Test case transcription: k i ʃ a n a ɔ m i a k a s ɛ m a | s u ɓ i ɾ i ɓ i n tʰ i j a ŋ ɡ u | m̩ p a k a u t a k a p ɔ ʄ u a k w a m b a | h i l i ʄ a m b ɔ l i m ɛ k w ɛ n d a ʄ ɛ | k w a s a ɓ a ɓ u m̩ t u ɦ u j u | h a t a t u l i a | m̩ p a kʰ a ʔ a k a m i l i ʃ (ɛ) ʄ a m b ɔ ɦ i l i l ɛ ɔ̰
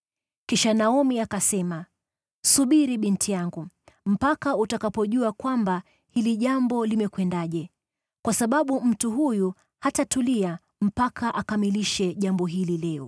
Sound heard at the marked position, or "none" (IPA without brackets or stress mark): ɛ